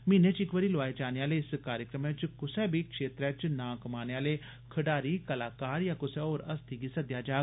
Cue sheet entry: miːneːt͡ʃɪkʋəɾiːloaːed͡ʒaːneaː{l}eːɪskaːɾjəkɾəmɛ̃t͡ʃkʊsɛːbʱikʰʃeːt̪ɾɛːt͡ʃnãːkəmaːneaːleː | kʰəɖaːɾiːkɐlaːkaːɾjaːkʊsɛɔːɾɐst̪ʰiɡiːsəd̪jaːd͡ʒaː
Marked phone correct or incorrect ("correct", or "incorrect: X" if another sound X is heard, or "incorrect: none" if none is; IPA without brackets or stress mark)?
correct